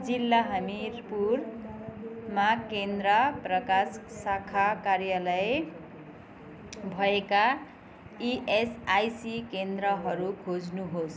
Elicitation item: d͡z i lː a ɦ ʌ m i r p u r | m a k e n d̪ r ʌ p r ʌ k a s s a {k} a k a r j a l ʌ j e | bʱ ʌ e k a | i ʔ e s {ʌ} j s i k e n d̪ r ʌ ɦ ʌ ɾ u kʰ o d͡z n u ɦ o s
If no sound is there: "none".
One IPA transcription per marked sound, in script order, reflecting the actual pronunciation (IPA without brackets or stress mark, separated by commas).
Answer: kʰ, a